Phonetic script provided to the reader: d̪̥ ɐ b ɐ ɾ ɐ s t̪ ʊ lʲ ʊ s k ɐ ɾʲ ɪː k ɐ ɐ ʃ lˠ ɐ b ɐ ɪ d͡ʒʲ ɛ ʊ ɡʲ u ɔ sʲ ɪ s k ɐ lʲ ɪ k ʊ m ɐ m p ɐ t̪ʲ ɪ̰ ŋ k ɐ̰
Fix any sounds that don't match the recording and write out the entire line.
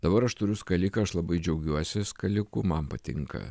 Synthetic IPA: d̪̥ ɐ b ɐ ɾ ɐ ʃ t̪ ʊ ɾʲ ʊ s k ɐ lʲ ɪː k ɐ ɐ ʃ lˠ ɐ b ɐ ɪ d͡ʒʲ ɛ ʊ ɡʲ u ɔ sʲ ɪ s k ɐ lʲ ɪ k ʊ m ɐ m p ɐ t̪ʲ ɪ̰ ŋ k ɐ̰